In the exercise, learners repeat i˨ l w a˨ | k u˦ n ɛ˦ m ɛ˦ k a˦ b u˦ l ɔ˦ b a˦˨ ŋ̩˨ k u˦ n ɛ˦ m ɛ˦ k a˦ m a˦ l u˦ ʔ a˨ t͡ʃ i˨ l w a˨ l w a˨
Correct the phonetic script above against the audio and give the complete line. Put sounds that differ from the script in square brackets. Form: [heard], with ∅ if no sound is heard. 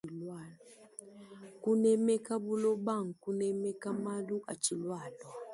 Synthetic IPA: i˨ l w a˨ | k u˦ n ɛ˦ m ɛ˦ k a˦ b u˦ l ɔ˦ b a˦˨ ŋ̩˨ k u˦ n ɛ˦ m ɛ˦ k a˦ m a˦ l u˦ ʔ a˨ t͡ʃ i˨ l w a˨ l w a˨